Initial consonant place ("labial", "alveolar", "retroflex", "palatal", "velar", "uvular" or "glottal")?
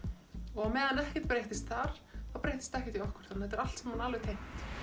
velar